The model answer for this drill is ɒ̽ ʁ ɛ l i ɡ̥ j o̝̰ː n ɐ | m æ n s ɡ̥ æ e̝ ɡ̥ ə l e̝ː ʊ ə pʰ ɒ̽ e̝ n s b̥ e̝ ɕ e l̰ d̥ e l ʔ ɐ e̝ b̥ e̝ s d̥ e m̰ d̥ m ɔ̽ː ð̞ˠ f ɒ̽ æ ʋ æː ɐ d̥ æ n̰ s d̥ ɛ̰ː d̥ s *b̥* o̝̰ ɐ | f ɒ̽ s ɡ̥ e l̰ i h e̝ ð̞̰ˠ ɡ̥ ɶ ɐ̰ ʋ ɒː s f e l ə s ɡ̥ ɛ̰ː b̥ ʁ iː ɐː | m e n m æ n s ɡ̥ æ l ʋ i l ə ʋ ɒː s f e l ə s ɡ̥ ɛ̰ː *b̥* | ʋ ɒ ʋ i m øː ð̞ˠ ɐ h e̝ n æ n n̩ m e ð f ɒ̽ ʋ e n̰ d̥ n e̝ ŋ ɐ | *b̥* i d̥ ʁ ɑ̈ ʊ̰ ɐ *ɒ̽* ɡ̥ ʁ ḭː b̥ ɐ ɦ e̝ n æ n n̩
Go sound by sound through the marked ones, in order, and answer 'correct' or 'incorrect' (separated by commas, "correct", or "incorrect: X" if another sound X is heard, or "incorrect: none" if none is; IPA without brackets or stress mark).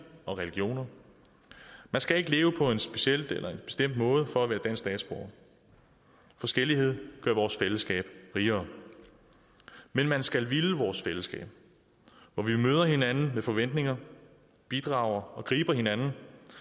correct, correct, correct, correct